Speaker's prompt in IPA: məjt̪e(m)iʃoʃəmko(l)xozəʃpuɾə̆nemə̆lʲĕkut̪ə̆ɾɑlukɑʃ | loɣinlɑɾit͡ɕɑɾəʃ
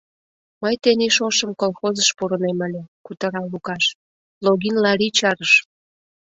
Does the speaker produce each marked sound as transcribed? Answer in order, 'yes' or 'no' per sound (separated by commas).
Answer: no, yes